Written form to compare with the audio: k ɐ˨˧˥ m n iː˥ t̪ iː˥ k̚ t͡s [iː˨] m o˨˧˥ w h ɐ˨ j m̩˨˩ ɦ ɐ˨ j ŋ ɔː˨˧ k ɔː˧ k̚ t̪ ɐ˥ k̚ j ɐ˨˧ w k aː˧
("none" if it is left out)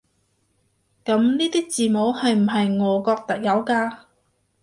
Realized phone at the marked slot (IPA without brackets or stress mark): iː˨